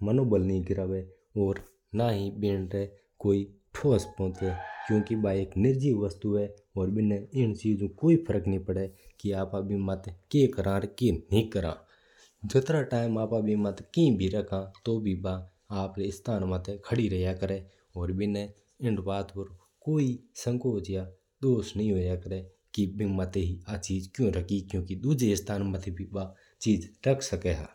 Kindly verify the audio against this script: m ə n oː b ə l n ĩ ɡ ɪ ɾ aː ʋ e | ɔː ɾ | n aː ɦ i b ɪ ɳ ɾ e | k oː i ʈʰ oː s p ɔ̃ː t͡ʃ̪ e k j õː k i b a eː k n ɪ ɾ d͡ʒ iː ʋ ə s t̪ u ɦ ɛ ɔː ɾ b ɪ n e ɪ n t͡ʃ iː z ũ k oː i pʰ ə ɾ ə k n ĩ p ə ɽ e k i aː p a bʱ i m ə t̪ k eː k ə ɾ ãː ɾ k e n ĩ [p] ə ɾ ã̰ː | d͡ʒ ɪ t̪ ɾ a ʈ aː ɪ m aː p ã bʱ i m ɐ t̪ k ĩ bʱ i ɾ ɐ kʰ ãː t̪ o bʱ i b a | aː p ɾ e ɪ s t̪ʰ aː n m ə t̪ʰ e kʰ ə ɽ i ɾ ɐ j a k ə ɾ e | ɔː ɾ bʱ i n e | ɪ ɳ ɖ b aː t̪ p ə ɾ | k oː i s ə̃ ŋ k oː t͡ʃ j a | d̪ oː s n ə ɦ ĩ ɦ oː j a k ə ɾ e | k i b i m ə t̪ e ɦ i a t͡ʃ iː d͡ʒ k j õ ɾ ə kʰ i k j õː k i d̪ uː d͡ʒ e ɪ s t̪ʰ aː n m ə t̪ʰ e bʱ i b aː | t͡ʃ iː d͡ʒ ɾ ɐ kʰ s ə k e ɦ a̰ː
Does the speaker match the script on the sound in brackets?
no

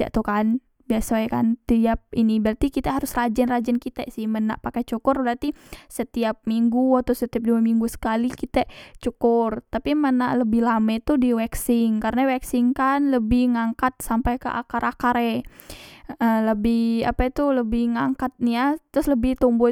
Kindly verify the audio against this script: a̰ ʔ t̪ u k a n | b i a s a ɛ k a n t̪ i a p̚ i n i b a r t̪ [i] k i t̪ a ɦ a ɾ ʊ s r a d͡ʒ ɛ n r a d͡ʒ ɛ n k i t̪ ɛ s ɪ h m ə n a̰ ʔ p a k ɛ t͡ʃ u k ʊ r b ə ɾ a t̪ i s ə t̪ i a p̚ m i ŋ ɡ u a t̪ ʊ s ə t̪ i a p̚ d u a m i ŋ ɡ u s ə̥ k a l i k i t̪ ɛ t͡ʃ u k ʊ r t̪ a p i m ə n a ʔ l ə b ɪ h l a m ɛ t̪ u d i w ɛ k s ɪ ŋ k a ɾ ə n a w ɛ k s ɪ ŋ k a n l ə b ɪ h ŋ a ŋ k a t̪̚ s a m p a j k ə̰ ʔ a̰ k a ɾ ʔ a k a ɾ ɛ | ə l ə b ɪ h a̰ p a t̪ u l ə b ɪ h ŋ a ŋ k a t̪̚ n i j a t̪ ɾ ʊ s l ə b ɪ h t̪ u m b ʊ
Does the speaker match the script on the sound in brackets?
yes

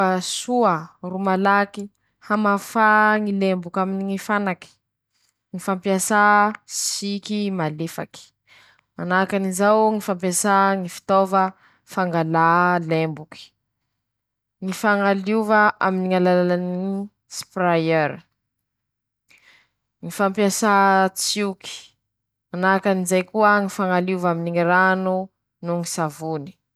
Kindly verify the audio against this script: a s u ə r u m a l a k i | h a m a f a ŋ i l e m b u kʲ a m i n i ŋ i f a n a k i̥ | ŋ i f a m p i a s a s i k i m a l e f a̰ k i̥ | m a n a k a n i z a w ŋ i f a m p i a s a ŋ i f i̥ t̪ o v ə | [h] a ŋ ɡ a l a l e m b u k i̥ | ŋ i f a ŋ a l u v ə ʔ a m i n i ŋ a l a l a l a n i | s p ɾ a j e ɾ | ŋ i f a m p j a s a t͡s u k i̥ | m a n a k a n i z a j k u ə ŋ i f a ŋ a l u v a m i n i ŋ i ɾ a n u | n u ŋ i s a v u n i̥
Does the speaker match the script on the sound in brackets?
no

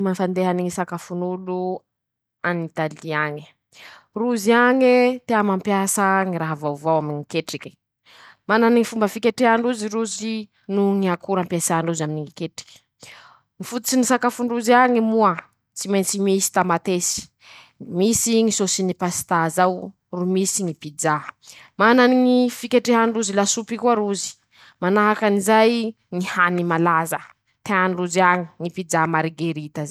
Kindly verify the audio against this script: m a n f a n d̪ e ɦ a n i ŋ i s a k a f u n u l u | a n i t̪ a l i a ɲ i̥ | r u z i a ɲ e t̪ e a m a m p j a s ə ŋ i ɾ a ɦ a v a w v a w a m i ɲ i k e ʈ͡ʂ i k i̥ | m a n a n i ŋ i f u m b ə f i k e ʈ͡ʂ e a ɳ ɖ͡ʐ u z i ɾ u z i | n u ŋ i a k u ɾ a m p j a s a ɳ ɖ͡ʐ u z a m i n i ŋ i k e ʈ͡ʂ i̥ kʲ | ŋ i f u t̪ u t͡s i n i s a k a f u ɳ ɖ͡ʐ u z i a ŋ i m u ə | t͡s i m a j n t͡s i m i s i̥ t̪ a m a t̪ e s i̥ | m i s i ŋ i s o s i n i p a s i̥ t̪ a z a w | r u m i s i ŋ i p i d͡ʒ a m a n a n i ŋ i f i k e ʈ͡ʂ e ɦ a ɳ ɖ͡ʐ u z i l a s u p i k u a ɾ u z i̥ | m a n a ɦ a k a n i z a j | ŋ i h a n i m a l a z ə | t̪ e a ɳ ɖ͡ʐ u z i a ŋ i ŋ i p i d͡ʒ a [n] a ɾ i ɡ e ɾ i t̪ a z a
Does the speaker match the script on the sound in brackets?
no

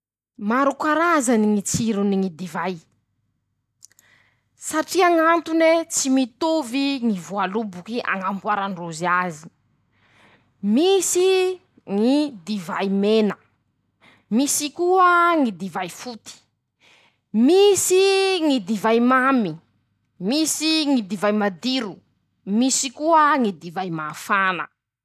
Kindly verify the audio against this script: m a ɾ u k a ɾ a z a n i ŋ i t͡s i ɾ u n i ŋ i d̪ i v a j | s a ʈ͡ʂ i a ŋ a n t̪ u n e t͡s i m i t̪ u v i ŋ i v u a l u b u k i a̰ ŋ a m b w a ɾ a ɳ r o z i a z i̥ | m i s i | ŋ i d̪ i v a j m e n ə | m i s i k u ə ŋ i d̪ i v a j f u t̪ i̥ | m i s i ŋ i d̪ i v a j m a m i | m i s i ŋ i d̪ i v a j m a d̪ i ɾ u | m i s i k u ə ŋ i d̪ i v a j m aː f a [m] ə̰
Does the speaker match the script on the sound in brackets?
no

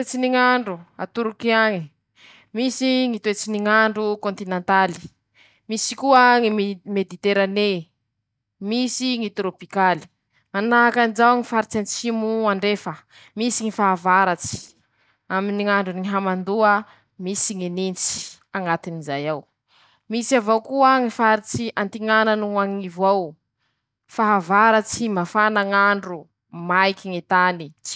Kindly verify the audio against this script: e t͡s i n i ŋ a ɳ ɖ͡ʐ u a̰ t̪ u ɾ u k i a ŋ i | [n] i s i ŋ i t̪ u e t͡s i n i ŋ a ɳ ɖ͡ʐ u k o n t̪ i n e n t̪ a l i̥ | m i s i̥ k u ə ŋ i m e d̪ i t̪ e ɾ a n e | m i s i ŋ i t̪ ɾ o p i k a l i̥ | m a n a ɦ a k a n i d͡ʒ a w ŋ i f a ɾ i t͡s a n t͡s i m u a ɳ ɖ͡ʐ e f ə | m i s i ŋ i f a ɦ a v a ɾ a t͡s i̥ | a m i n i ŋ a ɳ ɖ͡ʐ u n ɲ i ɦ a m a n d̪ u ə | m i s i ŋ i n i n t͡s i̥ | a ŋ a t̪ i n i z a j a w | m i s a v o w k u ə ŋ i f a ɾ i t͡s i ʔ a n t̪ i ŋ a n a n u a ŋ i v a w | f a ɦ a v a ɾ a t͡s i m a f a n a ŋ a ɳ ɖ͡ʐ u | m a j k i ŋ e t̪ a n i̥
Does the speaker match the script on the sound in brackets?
no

